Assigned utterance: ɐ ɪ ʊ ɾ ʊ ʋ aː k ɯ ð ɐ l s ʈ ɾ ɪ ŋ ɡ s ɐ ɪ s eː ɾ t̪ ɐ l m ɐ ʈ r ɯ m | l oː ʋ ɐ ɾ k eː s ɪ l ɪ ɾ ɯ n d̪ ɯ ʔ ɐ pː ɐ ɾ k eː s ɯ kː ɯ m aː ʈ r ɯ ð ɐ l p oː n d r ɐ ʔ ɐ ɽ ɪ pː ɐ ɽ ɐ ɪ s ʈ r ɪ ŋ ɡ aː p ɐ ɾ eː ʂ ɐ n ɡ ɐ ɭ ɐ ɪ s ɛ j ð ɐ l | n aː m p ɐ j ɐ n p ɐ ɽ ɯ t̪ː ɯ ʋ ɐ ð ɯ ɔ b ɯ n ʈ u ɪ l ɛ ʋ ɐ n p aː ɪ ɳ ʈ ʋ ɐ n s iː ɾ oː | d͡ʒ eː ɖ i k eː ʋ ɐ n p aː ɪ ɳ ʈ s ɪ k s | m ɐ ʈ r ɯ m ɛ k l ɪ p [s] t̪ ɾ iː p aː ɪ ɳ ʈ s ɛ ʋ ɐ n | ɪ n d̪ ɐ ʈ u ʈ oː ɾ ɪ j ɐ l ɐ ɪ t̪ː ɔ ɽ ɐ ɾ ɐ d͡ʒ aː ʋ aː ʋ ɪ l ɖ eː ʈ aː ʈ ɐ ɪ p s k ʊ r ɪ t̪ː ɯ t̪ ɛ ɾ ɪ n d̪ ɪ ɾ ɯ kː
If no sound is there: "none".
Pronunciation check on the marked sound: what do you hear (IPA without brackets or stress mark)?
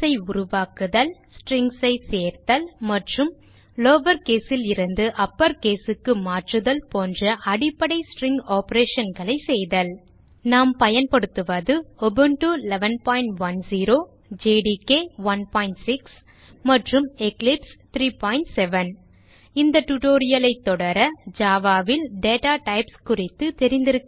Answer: s